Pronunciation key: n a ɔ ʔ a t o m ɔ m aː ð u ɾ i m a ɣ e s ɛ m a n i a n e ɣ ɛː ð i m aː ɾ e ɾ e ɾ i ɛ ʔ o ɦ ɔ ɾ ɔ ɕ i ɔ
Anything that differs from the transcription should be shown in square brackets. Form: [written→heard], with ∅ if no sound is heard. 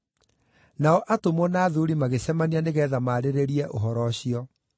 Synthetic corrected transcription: n a ɔ ʔ a t o m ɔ [m→n] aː ð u ɾ i m a ɣ e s ɛ m a n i a n e ɣ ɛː ð [i→a] m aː ɾ e ɾ e ɾ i ɛ ʔ o ɦ ɔ ɾ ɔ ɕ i ɔ